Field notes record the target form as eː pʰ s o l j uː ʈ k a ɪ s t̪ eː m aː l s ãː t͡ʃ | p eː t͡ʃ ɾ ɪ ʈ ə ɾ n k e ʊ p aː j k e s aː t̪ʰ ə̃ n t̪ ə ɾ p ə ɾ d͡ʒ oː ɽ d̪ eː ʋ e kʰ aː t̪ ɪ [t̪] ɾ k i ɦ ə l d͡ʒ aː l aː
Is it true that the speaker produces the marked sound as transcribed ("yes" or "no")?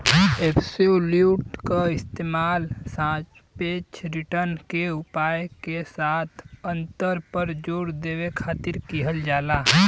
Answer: no